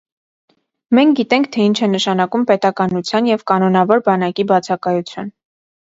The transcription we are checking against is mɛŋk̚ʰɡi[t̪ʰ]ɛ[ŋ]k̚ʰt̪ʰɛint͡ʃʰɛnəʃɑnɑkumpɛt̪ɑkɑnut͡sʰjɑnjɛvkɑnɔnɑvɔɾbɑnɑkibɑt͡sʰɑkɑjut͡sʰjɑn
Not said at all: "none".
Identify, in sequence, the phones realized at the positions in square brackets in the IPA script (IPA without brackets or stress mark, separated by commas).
t̪, ŋ